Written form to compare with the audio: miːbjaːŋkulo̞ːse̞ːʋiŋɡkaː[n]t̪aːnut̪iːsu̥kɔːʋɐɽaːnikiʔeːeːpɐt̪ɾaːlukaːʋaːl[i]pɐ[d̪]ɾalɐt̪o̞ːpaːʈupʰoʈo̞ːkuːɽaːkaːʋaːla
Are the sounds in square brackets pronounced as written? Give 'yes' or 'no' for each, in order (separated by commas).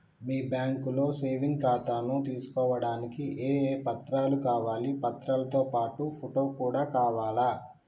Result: no, yes, no